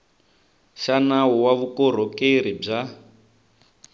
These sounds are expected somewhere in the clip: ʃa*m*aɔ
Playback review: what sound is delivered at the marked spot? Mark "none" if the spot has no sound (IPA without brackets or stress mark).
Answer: n